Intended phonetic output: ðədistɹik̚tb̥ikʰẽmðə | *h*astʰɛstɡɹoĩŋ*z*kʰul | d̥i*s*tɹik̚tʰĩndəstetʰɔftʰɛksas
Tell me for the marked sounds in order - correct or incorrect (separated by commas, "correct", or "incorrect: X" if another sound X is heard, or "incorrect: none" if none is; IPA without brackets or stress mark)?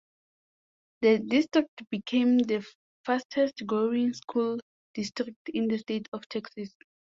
incorrect: f, incorrect: s, correct